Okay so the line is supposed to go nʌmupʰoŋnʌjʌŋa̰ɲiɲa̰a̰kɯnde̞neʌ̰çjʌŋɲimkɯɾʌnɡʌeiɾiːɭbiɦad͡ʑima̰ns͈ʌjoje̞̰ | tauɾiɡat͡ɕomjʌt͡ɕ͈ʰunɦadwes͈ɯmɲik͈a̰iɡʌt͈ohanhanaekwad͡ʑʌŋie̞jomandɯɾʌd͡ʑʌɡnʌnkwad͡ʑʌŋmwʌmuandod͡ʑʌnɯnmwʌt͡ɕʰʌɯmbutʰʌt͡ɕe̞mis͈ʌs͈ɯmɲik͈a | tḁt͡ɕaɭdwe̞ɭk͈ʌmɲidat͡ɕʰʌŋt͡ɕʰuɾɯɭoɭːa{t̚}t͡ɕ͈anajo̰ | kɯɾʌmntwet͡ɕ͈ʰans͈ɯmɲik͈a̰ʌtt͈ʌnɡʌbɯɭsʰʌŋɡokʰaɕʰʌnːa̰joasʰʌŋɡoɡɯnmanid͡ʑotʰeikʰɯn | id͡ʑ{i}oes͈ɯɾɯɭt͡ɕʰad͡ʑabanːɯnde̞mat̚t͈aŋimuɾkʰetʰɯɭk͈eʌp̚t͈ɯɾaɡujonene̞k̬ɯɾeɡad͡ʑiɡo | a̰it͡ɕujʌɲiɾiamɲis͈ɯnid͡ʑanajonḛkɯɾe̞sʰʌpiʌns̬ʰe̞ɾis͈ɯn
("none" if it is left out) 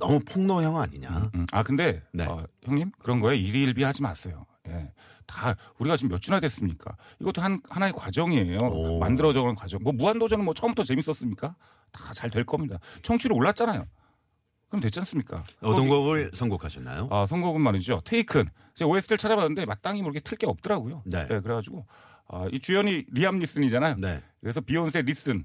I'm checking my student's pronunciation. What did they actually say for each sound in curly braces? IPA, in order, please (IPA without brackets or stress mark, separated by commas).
t̚, e